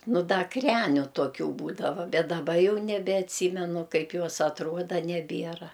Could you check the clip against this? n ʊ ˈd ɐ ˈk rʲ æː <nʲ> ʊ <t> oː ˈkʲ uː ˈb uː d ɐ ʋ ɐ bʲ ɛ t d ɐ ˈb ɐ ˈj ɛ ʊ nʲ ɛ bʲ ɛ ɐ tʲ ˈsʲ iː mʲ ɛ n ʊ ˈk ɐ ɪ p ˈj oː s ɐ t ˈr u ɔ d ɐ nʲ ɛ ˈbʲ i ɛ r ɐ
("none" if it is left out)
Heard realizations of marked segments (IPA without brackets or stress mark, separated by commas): nʲ, t